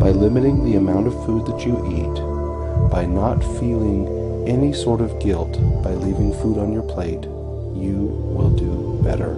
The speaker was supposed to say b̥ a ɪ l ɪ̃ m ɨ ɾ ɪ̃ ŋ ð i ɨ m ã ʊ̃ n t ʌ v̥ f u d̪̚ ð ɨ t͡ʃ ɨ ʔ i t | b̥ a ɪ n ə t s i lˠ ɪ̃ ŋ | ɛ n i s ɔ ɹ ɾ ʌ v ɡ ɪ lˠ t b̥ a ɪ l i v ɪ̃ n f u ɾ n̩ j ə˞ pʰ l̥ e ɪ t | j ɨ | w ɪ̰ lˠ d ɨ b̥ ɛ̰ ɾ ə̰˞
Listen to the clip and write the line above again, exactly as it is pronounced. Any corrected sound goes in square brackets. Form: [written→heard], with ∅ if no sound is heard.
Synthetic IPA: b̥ a ɪ l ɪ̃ m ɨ ɾ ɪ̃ ŋ ð i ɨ m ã ʊ̃ n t ʌ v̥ f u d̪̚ ð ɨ t͡ʃ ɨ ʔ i t | b̥ a ɪ n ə t [s→f] i lˠ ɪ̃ ŋ | ɛ n i s ɔ ɹ ɾ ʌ v ɡ ɪ lˠ t b̥ a ɪ l i v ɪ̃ [n→ŋ] f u ɾ n̩ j ə˞ pʰ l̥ e ɪ t | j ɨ | w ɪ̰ lˠ d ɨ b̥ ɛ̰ ɾ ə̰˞